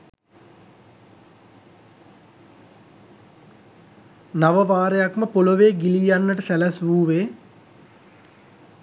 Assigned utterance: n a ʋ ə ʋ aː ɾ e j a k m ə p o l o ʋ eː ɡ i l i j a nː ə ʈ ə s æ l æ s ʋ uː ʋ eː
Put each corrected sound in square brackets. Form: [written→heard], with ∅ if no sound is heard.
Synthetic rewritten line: n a ʋ ə ʋ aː ɾ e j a k m ə p o l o ʋ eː ɡ i l i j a nː ə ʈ ə s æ l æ s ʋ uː ʋ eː